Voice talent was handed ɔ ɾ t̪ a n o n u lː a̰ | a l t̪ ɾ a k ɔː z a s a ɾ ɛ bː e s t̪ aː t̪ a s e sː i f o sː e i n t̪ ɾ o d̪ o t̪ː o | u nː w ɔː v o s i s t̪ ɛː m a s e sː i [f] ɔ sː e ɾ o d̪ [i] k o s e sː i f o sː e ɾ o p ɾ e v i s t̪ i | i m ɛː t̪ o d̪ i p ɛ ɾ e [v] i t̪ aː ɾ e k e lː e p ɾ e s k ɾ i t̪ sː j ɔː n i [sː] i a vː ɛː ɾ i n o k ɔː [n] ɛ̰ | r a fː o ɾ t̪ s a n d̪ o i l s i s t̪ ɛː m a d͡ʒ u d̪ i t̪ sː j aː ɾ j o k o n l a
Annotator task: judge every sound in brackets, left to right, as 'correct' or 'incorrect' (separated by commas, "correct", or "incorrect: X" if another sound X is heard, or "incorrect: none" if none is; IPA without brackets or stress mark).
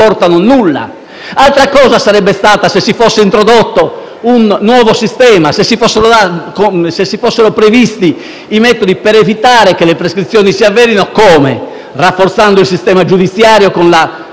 correct, incorrect: a, correct, incorrect: s, incorrect: m